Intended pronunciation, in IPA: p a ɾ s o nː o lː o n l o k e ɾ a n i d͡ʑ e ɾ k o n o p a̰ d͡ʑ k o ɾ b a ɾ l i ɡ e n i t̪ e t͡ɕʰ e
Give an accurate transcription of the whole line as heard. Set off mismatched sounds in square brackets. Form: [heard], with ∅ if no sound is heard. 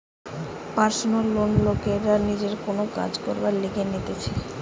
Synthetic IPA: p a ɾ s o [n] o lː o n l o k e ɾ a n i d͡ʑ e ɾ k o n o [k] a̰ d͡ʑ k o ɾ b a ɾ l i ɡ e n i t̪ e t͡ɕʰ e

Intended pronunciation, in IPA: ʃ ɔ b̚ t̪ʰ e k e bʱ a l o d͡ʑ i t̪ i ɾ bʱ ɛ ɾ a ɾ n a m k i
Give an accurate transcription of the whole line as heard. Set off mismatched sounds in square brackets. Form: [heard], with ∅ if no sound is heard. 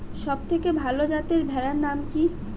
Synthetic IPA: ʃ ɔ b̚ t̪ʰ e k e bʱ a l o d͡ʑ [a] t̪ [e] ɾ bʱ ɛ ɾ a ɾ n a m k i

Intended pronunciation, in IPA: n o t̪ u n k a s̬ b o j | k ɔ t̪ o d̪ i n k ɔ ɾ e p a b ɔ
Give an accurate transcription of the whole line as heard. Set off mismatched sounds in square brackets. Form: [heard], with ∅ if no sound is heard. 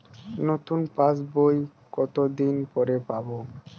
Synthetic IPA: n o t̪ u n [p] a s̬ b o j | k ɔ t̪ o d̪ i n [p] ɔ ɾ e p a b [o]

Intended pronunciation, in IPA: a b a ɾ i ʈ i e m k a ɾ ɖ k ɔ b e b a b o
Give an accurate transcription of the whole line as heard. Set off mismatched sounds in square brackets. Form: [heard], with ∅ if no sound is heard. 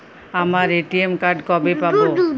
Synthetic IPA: a [m] a ɾ [e] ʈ i e m k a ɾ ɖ k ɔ b e [p] a b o

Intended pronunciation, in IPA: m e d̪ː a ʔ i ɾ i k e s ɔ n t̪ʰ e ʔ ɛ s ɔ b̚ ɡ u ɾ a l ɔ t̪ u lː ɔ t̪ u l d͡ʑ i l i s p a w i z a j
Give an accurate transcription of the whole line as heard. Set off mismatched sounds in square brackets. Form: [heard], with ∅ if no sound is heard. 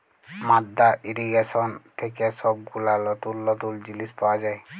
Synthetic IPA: m [a] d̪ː a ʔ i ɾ i [ɡ] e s ɔ n t̪ʰ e [k] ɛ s ɔ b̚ ɡ u [l] a l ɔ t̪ u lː ɔ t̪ u l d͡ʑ i l i s p a w [a] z a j

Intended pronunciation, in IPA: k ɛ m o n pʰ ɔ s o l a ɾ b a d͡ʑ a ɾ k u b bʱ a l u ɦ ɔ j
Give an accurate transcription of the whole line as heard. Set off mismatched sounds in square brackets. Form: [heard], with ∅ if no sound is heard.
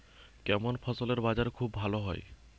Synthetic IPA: k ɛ m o n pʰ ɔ s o l [e] ɾ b a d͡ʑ a ɾ [kʰ] u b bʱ a l [o] ɦ ɔ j

